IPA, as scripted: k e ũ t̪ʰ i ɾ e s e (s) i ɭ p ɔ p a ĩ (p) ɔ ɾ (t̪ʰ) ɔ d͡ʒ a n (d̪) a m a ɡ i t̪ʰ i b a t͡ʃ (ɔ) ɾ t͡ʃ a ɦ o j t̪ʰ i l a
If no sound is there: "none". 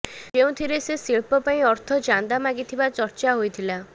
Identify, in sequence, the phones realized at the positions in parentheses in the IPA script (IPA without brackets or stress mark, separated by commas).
s, none, t̪ʰ, d̪, ɔ